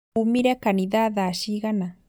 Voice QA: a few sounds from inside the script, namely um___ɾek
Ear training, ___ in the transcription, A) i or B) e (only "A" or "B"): A